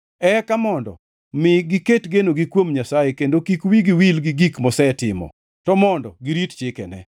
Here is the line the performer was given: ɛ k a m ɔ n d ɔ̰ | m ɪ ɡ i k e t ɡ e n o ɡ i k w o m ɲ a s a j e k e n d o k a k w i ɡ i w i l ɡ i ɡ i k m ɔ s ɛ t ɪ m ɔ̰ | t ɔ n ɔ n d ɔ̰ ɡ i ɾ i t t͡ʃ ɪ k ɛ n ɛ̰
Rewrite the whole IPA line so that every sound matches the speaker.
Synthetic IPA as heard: ɛ k a m ɔ n d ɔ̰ | m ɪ ɡ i k e t ɡ e n o ɡ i k w o m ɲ a s a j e k e n d o k i k w i ɡ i w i l ɡ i ɡ i k m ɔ s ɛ t ɪ m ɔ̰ | t ɔ m ɔ n d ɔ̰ ɡ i ɾ i t t͡ʃ ɪ k ɛ n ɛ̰